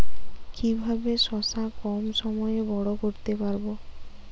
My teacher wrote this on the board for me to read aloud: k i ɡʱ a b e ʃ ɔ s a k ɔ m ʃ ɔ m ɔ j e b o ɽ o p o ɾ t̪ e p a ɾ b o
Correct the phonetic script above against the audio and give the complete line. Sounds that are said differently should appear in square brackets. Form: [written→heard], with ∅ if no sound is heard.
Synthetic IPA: k i [ɡʱ→bʱ] a b e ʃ ɔ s a k ɔ m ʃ ɔ m ɔ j e b [o→ɔ] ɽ o [p→k] o ɾ t̪ e p a ɾ b o